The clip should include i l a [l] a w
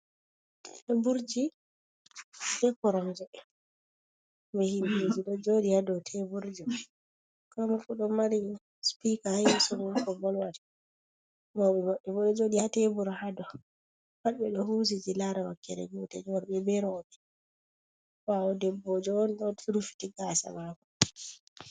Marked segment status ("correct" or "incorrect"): incorrect